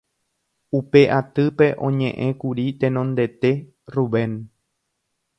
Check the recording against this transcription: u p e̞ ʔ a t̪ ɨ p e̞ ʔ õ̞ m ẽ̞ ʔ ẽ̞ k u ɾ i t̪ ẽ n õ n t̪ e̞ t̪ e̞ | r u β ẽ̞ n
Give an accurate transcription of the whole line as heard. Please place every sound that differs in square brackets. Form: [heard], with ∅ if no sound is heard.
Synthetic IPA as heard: u p e̞ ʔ a t̪ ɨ p e̞ ʔ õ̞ [ɲ] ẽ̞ ʔ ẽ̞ k u ɾ i t̪ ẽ n õ n [d̪] e̞ t̪ e̞ | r u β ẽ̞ n